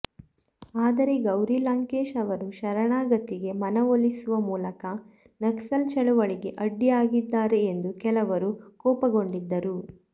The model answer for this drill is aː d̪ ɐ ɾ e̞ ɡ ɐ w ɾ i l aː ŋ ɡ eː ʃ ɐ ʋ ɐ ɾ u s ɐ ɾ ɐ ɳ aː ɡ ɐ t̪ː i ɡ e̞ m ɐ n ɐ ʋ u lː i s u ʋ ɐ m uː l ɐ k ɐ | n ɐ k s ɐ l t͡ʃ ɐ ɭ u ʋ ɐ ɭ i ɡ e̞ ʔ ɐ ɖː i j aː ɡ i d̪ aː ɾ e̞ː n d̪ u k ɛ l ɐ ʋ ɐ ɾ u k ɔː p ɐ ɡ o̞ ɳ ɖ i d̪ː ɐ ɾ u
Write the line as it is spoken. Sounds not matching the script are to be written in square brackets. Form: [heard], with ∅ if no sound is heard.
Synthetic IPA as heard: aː d̪ ɐ ɾ e̞ ɡ ɐ w ɾ i l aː ŋ [k] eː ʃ ɐ ʋ ɐ ɾ u [ʃ] ɐ ɾ ɐ ɳ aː ɡ ɐ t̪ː i ɡ e̞ m ɐ n ɐ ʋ [o] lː i s u ʋ ɐ m uː l ɐ k ɐ | n ɐ k s ɐ l t͡ʃ ɐ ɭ u ʋ ɐ ɭ i ɡ e̞ ʔ ɐ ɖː i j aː ɡ i [d̪ː] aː ɾ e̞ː n d̪ u k ɛ l ɐ ʋ ɐ ɾ u k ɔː p ɐ ɡ o̞ ɳ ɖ i d̪ː ɐ ɾ u

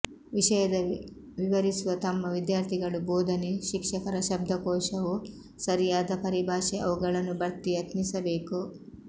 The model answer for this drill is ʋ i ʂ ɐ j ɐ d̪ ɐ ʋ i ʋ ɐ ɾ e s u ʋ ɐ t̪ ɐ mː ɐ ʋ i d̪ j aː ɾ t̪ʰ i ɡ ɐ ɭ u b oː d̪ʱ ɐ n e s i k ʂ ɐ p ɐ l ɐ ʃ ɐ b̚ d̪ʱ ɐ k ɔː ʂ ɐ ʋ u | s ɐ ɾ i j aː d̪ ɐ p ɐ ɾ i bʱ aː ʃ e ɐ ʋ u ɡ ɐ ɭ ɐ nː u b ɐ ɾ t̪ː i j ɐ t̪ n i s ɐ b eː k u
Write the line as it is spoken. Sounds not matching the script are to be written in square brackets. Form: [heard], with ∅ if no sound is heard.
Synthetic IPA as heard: ʋ i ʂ ɐ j ɐ d̪ ɐ ʋ i ʋ ɐ ɾ [i] s u ʋ ɐ t̪ ɐ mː ɐ ʋ i d̪ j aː ɾ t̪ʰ i ɡ ɐ ɭ u b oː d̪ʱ ɐ n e [ʃ] i k ʂ ɐ [k] ɐ [ɾ] ɐ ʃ ɐ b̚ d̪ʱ ɐ k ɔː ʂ ɐ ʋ u | s ɐ ɾ i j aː d̪ ɐ p ɐ ɾ i bʱ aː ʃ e ɐ ʋ u ɡ ɐ ɭ ɐ nː u b ɐ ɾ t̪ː i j ɐ t̪ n i s ɐ b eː k u

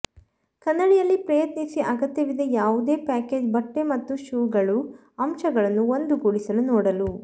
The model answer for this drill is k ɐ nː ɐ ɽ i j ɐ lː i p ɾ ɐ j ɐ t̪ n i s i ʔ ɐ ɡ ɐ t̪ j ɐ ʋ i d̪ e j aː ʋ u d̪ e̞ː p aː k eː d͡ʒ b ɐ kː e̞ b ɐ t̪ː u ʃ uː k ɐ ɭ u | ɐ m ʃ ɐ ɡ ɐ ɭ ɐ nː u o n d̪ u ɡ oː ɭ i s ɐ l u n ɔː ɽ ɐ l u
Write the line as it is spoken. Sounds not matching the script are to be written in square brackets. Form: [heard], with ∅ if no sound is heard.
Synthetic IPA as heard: k ɐ nː ɐ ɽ i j ɐ lː i p ɾ ɐ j ɐ t̪ n i s i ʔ ɐ ɡ ɐ t̪ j ɐ ʋ i d̪ e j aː ʋ u d̪ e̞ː p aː k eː d͡ʒ b ɐ [ʈː] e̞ [m] ɐ t̪ː u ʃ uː [ɡ] ɐ ɭ u | ɐ m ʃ ɐ ɡ ɐ ɭ ɐ nː u o n d̪ u ɡ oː ɭ i s ɐ l u n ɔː ɽ ɐ l u

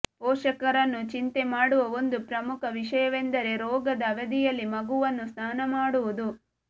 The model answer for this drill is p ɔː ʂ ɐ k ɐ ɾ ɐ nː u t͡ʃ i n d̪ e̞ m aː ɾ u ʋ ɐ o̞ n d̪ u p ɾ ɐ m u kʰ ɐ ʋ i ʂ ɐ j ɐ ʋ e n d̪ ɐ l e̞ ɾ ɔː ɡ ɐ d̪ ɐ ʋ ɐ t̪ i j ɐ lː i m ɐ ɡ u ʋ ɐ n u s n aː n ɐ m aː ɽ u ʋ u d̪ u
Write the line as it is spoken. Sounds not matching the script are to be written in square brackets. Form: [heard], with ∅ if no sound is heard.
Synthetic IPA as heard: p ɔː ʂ ɐ k ɐ ɾ ɐ nː u t͡ʃ i n [t̪] e̞ m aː [ɽ] u ʋ ɐ o̞ n d̪ u p ɾ ɐ m u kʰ ɐ ʋ i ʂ ɐ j ɐ ʋ e n d̪ ɐ [ɾ] e̞ ɾ ɔː ɡ ɐ d̪ ɐ ʋ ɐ [d̪] i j ɐ lː i m ɐ ɡ u ʋ ɐ [nː] u s n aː n ɐ m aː ɽ u ʋ u d̪ u

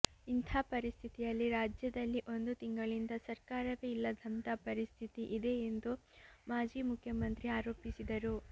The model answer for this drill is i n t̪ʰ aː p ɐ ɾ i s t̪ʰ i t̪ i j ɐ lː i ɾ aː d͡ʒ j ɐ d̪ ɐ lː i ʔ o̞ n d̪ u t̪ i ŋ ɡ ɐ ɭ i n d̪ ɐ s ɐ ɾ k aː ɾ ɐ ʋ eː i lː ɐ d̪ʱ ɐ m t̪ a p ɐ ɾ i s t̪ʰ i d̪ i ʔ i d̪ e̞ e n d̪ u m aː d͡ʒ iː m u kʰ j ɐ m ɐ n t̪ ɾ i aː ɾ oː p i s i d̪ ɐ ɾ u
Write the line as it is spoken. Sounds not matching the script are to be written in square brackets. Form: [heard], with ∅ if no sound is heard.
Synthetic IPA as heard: i n t̪ʰ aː p ɐ ɾ i s t̪ʰ i t̪ i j ɐ lː i ɾ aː d͡ʒ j ɐ d̪ ɐ lː i ʔ o̞ n d̪ u t̪ i ŋ ɡ ɐ ɭ i n d̪ ɐ s ɐ ɾ k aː ɾ ɐ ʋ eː i lː ɐ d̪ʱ ɐ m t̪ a p ɐ ɾ i s t̪ʰ i [t̪] i ʔ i d̪ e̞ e n d̪ u m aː d͡ʒ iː m u kʰ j ɐ m ɐ n t̪ ɾ i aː ɾ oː p i s i d̪ ɐ ɾ u

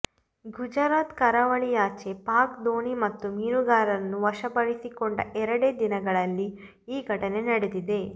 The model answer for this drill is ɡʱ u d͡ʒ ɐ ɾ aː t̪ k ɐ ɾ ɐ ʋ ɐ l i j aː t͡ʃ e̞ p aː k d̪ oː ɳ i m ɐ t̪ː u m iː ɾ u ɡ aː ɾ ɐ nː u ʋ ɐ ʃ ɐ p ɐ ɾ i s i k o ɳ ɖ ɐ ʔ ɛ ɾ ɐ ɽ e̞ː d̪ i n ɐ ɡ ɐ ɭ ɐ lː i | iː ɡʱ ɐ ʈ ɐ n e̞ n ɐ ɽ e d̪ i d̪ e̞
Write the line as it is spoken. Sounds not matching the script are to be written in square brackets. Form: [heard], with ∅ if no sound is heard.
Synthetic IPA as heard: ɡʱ u d͡ʒ ɐ ɾ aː t̪ k ɐ ɾ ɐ ʋ ɐ [ɭ] i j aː t͡ʃ e̞ p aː k d̪ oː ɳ i m ɐ t̪ː u m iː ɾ u ɡ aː ɾ ɐ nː u ʋ ɐ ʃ ɐ p ɐ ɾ i s i k o ɳ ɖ ɐ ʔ ɛ ɾ ɐ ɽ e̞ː d̪ i n ɐ ɡ ɐ ɭ ɐ lː i | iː ɡʱ ɐ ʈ ɐ n e̞ n ɐ ɽ e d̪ i d̪ e̞

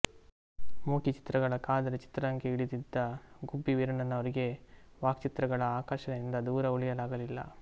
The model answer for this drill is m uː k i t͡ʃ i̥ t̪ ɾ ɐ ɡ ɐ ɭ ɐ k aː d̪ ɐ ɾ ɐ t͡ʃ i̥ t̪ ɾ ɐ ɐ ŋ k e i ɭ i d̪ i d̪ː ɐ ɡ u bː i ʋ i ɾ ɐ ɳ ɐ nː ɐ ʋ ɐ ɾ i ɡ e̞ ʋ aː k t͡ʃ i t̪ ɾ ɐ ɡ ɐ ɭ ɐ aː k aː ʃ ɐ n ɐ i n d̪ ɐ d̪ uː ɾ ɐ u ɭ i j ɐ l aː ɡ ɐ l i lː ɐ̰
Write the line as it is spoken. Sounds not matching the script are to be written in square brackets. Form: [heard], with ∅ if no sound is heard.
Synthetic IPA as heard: m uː k i t͡ʃ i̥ t̪ ɾ ɐ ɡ ɐ ɭ ɐ k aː d̪ ɐ ɾ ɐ t͡ʃ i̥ t̪ ɾ ɐ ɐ ŋ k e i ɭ i d̪ i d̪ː ɐ ɡ u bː i ʋ i ɾ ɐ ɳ ɐ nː ɐ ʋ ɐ ɾ i ɡ e̞ ʋ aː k t͡ʃ i t̪ ɾ ɐ ɡ ɐ ɭ ɐ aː k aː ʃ ɐ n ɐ i n d̪ ɐ d̪ uː ɾ ɐ u ɭ i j ɐ l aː ɡ ɐ l i lː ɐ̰

